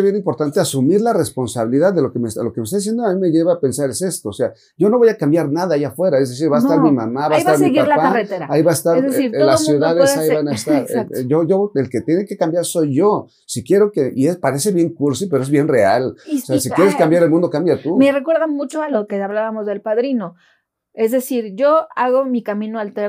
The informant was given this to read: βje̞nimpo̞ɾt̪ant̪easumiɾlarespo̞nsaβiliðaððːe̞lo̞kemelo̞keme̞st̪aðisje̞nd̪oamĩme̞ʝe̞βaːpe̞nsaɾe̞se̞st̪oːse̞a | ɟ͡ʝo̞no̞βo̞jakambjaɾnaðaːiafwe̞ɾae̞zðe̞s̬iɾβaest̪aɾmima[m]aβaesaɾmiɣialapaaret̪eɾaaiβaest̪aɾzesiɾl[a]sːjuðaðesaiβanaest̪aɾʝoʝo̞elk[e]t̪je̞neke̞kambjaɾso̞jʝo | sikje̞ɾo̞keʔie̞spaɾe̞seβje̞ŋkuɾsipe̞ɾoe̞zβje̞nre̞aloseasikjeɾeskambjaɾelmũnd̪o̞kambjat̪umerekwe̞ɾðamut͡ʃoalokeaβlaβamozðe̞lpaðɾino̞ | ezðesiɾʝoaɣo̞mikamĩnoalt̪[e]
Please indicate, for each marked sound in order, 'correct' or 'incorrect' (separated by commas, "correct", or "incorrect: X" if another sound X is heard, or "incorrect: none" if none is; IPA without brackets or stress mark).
correct, correct, correct, correct